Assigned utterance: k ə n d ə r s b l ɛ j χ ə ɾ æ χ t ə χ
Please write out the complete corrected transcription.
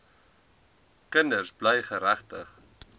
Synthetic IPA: k ə n d ə r s b l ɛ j χ ə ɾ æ χ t ə χ